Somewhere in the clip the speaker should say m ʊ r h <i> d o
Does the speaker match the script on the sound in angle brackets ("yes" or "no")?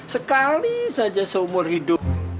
yes